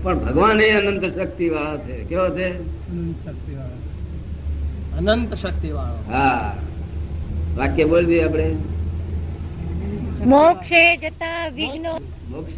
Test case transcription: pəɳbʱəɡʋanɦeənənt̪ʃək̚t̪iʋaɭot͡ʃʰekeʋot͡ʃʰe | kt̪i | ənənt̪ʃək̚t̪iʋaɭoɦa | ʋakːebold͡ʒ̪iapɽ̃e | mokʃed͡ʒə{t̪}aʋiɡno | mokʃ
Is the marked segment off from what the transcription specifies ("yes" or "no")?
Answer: no